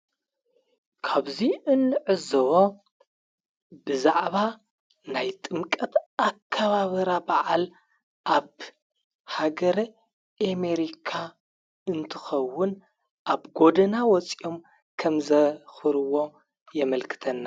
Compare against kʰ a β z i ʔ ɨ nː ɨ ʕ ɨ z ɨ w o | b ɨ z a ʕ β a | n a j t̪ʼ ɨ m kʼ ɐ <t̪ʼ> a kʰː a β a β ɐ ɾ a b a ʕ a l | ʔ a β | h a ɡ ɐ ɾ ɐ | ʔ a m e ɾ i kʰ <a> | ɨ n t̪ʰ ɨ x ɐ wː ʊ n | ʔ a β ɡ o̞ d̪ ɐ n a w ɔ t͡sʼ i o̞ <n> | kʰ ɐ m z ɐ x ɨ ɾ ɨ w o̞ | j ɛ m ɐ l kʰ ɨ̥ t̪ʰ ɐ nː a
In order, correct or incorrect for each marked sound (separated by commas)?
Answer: incorrect, correct, incorrect